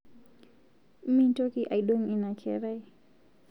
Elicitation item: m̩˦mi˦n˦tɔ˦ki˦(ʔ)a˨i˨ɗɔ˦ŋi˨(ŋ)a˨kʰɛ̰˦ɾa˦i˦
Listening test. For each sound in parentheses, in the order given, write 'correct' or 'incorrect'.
correct, incorrect

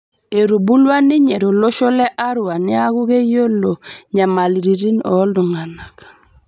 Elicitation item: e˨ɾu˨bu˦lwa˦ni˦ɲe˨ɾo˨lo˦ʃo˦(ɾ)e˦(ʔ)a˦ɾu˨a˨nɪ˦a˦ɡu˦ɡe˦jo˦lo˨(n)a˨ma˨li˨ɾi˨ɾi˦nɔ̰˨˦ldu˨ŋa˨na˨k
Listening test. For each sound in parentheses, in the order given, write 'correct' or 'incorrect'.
incorrect, correct, incorrect

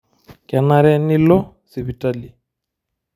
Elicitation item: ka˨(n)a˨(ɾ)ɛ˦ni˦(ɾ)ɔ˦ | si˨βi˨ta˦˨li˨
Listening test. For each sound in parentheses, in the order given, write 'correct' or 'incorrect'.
correct, correct, incorrect

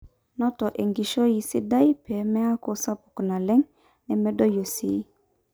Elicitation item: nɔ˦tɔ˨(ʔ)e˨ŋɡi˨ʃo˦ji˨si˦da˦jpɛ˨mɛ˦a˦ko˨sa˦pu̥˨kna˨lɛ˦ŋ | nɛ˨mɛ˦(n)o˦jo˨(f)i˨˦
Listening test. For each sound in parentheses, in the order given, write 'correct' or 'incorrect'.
correct, incorrect, incorrect

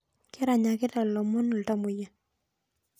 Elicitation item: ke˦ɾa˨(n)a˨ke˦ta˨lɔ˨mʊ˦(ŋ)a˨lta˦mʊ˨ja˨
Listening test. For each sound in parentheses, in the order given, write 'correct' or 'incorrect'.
incorrect, incorrect

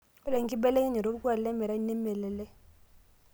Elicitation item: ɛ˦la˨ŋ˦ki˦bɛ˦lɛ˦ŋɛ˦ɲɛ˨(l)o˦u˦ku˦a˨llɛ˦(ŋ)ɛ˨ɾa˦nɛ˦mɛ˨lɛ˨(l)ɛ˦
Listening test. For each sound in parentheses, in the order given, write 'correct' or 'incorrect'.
incorrect, incorrect, correct

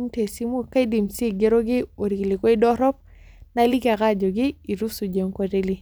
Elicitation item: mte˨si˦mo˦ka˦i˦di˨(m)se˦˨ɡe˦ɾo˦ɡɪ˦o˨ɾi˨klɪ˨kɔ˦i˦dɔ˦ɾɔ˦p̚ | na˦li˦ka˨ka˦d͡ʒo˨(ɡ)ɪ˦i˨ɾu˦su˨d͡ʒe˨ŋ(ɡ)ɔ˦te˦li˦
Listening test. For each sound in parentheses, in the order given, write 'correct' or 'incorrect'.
correct, correct, incorrect

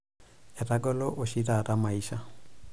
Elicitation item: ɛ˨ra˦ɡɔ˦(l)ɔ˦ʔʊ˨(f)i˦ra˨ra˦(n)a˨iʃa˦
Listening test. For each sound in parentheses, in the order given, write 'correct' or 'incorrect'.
correct, incorrect, incorrect

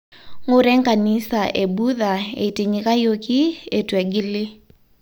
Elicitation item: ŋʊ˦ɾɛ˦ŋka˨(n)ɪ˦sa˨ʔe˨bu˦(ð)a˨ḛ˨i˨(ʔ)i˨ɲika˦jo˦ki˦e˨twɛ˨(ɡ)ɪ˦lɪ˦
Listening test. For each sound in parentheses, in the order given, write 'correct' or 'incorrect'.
correct, correct, incorrect, correct

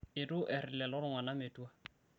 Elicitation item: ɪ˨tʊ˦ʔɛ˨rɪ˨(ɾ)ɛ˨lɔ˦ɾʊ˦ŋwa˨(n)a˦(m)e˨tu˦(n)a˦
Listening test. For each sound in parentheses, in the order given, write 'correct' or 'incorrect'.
incorrect, correct, correct, incorrect

